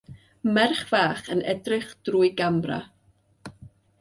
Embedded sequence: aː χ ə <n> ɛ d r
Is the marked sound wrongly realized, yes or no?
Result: no